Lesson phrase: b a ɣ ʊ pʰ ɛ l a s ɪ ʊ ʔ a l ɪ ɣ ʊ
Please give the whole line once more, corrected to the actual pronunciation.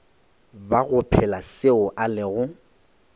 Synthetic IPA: b a ɣ ʊ pʰ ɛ l a s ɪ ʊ ʔ a l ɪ ɣ ʊ

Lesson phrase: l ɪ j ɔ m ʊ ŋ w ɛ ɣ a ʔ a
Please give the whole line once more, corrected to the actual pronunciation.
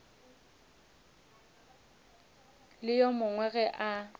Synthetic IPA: l ɪ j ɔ m ʊ ŋ w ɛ ɣ ɛ ʔ a

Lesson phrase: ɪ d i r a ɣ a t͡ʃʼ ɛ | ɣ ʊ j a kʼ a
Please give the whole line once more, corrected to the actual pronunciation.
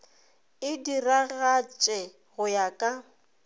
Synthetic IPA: ɪ d i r a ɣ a t͡ʃʼ ɛ | ɣ ʊ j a kʼ a

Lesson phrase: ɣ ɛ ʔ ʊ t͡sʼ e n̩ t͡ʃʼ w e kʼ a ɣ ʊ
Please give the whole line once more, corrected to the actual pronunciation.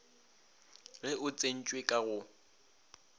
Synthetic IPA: ɣ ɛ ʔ ʊ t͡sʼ e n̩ t͡ʃʼ w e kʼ a ɣ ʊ

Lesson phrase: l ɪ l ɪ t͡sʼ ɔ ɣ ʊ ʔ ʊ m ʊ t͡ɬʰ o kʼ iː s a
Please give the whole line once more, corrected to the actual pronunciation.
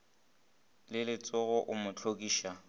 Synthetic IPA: l ɪ l ɪ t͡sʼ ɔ ɣ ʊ ʔ ʊ m ʊ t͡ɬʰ o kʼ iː ʃ a

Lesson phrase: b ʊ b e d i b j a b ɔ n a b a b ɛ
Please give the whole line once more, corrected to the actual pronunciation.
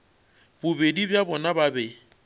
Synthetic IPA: b ʊ b e d i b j a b ɔ n a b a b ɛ

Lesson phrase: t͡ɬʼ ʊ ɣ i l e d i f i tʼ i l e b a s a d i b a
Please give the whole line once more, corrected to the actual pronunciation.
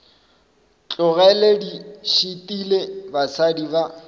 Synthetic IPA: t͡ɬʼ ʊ ɣ ɛ l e d i ʃ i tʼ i l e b a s a d i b a

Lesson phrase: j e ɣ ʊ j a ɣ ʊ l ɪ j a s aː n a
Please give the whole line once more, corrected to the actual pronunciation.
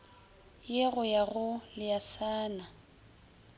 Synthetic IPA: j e ɣ ʊ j a ɣ ʊ l ɪ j a s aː n a

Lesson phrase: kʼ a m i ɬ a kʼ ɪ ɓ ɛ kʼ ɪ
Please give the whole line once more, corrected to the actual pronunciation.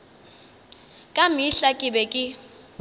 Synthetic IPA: kʼ a m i ɬ a kʼ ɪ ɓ ɛ kʼ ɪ

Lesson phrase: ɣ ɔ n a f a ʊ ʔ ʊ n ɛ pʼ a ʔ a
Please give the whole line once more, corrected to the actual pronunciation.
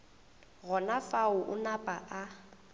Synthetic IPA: ɣ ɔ n a f a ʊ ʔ ʊ n a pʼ a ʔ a

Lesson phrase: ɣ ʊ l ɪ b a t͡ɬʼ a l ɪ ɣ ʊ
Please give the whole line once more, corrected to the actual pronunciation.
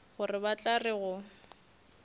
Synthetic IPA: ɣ ʊ r ɪ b a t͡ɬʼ a r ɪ ɣ ʊ

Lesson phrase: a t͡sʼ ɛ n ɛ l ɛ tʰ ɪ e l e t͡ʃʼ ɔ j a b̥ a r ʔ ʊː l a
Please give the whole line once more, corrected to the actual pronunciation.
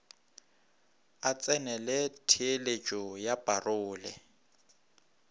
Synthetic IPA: a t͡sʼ ɛ n ɛ l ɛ tʰ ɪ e l e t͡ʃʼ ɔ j a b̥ a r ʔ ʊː l ɛ

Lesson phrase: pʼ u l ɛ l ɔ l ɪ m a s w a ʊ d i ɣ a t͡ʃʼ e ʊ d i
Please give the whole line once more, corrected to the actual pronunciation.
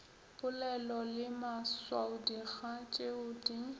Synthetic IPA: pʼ ʊ l ɛ l ɔ l ɪ m a s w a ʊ d i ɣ a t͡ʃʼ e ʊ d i

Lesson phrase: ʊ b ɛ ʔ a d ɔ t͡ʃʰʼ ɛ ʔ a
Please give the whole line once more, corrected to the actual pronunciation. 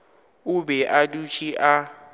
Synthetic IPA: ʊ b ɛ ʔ a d u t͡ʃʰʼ i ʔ a

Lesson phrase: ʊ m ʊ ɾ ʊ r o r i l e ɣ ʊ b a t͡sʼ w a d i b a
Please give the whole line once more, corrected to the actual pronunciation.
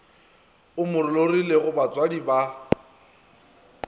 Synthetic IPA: ʊ m ʊ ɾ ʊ l o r i l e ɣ ʊ b a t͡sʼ w a d i b a

